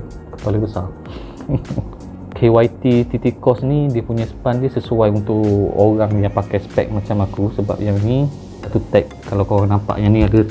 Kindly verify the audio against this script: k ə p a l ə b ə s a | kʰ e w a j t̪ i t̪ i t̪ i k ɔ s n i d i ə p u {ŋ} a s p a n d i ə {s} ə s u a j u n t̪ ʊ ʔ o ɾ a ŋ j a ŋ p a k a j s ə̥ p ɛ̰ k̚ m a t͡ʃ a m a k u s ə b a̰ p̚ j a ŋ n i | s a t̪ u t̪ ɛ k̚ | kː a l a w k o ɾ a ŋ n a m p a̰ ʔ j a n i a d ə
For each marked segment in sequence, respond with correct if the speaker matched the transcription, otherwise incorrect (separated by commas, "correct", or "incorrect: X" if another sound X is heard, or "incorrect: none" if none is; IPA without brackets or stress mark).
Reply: incorrect: ɲ, correct